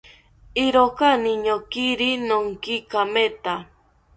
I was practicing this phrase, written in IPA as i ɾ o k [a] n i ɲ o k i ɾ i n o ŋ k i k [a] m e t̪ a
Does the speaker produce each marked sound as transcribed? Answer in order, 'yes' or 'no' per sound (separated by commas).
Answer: yes, yes